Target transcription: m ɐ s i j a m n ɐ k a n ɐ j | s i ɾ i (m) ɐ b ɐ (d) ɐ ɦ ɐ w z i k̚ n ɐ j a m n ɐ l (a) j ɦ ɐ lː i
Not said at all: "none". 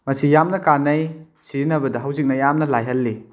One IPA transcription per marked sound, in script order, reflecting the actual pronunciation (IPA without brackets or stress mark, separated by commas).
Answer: n, d, a